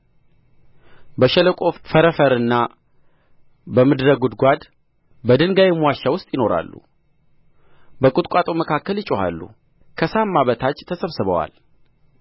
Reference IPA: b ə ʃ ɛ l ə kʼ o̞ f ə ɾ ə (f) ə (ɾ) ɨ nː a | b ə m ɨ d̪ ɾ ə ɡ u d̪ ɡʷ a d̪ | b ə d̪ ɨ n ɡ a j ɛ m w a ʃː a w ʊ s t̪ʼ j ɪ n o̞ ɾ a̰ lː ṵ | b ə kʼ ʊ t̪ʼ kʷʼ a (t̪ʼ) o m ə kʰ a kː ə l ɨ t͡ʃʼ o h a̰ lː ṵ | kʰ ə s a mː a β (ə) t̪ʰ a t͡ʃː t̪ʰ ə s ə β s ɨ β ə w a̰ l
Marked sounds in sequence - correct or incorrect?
correct, correct, correct, correct

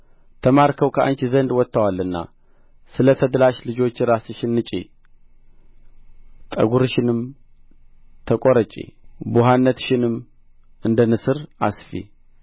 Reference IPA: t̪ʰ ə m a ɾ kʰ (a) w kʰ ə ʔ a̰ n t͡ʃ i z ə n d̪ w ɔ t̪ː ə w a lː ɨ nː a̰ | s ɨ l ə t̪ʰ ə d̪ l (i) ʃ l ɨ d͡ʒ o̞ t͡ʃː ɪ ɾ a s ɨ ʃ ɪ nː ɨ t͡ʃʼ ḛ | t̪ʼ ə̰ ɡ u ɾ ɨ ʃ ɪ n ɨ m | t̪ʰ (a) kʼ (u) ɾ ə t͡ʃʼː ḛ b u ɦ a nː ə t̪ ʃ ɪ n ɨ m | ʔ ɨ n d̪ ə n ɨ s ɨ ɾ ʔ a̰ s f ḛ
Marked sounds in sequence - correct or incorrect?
incorrect: ə, incorrect: a, incorrect: ə, incorrect: o

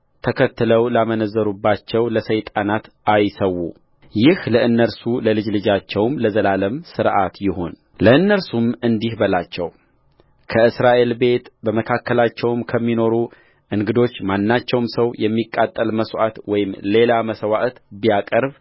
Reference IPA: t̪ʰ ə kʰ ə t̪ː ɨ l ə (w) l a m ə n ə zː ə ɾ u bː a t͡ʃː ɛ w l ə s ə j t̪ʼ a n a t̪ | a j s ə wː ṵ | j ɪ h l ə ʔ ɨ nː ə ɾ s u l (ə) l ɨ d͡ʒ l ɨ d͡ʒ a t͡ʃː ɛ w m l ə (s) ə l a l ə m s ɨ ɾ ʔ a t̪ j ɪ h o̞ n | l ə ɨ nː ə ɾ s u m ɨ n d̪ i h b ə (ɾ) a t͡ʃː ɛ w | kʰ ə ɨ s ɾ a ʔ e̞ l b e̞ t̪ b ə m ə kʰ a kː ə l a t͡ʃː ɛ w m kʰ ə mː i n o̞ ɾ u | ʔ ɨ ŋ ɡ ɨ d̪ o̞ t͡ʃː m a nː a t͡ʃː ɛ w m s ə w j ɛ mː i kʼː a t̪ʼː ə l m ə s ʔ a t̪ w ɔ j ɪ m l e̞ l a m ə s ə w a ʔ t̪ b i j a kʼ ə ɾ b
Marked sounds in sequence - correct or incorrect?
correct, correct, incorrect: z, incorrect: l

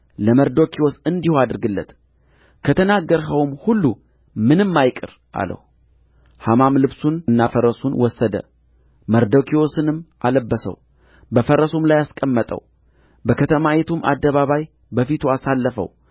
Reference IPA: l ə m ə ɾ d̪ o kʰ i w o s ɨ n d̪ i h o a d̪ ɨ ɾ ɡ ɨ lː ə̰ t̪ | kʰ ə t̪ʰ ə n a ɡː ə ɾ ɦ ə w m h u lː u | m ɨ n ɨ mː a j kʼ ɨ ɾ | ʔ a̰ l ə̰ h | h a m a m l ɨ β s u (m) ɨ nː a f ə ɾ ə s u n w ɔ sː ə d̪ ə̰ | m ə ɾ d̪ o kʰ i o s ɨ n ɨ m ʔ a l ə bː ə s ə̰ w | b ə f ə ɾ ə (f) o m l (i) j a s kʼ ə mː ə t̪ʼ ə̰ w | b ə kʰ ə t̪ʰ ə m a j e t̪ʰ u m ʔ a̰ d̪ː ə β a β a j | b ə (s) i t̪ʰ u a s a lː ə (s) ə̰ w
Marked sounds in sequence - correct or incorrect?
incorrect: n, incorrect: s, incorrect: a, incorrect: f, incorrect: f

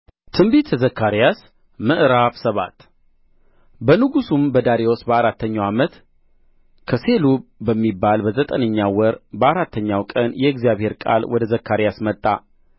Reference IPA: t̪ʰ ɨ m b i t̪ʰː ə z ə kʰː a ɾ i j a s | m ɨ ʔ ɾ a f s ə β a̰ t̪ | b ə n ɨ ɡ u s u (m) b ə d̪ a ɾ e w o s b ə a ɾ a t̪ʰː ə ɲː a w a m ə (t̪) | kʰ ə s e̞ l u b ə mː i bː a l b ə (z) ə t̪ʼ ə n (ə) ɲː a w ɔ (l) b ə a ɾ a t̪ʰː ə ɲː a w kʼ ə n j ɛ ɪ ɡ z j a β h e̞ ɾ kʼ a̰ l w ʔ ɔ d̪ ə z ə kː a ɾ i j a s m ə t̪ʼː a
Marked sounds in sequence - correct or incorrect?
correct, correct, correct, correct, incorrect: ɾ

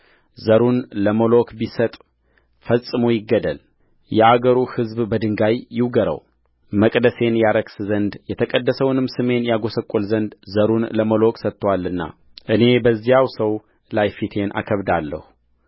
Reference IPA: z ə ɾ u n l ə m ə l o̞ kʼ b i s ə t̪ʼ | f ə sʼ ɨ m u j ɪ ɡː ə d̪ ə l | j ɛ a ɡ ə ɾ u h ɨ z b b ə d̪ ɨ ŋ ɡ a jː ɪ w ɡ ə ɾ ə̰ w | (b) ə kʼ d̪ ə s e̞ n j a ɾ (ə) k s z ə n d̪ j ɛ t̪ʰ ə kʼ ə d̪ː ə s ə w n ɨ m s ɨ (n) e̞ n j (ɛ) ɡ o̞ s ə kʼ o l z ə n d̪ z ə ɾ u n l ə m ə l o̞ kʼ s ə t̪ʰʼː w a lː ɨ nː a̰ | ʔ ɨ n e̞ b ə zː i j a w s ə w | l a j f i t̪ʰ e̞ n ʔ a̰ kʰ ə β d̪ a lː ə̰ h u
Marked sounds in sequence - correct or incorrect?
incorrect: m, correct, incorrect: m, incorrect: a

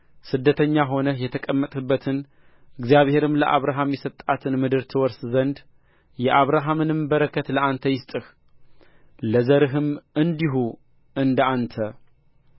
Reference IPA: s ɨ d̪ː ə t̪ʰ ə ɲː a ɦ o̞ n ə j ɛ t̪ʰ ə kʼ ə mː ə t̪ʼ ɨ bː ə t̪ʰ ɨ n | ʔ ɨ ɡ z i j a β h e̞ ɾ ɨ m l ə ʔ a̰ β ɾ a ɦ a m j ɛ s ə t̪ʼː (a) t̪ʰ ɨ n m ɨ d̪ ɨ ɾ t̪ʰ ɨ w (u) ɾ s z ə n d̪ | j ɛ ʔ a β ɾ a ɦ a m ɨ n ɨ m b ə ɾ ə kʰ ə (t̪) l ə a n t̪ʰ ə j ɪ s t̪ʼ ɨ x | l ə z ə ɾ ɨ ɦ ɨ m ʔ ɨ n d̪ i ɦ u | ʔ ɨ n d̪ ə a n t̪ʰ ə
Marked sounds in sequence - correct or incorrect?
correct, incorrect: ɔ, correct

